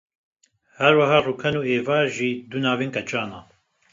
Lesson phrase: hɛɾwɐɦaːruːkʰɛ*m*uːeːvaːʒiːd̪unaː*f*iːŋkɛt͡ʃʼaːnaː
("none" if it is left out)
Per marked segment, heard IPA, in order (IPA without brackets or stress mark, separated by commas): n, v